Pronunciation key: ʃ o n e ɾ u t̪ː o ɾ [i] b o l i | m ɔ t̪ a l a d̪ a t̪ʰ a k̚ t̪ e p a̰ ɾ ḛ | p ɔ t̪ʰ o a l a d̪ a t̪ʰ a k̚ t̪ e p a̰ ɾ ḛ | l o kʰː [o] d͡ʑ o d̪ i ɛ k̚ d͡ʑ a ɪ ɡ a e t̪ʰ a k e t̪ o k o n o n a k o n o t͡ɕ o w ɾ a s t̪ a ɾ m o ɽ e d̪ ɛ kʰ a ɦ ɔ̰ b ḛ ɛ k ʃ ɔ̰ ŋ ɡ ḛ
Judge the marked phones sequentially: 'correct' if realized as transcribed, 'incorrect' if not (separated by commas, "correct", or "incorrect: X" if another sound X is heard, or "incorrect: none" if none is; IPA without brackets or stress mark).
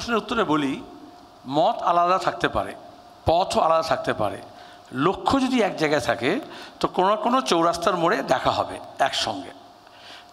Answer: incorrect: e, correct